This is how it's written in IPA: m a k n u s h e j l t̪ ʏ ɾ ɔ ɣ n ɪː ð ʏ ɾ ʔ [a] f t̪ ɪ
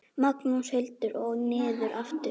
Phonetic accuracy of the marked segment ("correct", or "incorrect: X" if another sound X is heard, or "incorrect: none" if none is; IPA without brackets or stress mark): correct